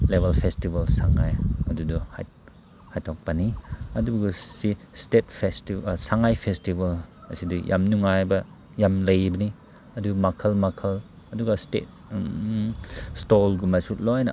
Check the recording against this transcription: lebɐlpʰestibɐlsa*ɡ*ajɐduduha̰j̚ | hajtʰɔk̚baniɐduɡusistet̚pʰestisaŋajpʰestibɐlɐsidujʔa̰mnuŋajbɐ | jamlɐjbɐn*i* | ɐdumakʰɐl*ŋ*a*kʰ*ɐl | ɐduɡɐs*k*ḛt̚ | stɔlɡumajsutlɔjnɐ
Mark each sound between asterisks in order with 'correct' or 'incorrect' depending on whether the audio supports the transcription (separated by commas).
incorrect, correct, incorrect, correct, incorrect